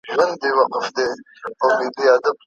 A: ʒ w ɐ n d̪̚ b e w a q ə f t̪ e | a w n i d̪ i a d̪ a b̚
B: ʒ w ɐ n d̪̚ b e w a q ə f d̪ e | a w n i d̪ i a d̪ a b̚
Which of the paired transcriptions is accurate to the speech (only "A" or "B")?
B